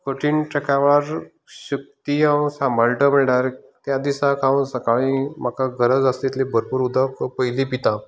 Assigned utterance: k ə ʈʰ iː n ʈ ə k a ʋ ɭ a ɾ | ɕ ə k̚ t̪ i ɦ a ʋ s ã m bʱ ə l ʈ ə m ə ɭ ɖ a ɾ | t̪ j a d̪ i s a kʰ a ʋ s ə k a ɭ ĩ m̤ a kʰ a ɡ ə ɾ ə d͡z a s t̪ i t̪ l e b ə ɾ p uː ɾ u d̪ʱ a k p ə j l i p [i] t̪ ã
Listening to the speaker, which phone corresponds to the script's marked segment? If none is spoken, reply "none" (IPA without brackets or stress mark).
i